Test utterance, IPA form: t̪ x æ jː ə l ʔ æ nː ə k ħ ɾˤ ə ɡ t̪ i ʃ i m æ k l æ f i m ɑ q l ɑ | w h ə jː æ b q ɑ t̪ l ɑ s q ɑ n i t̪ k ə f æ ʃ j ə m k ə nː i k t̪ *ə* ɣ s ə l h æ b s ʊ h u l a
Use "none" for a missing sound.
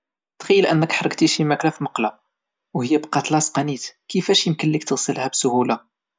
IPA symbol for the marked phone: ə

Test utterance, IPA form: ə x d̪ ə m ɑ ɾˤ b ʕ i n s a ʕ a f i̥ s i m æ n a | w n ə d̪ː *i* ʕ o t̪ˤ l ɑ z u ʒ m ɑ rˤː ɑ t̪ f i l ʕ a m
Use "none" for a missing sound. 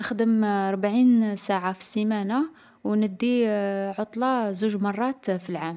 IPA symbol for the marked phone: i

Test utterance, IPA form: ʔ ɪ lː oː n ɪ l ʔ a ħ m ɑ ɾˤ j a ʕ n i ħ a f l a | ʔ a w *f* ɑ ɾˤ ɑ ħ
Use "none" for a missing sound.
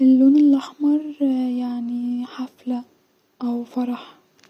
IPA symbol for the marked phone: f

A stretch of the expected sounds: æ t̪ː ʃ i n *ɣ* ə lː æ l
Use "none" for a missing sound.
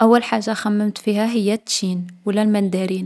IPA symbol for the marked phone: w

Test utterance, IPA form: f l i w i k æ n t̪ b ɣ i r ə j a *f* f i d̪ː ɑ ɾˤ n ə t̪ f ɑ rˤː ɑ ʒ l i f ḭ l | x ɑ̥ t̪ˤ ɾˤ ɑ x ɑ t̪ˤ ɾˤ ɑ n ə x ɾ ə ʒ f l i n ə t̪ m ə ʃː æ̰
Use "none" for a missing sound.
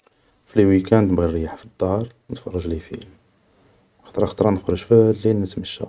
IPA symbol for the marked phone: ħ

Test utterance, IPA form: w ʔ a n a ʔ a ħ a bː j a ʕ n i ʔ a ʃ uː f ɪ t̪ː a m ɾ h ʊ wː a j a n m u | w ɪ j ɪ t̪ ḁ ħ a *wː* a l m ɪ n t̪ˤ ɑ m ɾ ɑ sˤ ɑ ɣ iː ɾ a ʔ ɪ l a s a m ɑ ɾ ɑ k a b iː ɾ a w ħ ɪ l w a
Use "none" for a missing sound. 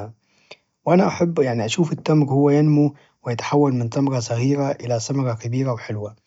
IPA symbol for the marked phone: wː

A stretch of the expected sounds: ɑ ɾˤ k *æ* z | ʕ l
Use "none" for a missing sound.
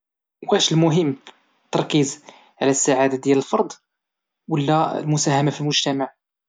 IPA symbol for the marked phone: i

